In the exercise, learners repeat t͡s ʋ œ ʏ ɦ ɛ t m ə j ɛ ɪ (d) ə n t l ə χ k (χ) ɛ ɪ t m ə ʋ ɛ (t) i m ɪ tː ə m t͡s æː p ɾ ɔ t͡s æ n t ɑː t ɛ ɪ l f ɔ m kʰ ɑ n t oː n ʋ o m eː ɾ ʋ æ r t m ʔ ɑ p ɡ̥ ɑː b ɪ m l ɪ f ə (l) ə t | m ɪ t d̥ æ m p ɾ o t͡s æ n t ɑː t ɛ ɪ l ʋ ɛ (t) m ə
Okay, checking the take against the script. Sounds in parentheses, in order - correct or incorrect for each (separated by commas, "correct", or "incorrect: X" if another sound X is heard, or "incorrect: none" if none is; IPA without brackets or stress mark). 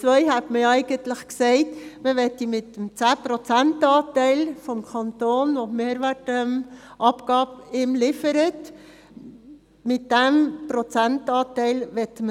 incorrect: ɡ, incorrect: s, correct, incorrect: ɾ, correct